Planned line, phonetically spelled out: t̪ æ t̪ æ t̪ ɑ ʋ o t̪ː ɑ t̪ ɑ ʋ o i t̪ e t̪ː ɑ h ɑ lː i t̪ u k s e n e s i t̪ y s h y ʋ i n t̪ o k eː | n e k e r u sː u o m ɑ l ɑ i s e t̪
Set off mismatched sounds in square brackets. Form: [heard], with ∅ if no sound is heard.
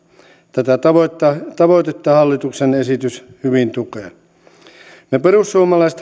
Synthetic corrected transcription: t̪ æ t̪ æ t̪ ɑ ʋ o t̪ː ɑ t̪ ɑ ʋ o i t̪ e t̪ː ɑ h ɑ lː i t̪ u k s e n e s i t̪ y s h y ʋ i n t̪ [u] k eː | n e [p] e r u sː u o m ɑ l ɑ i s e t̪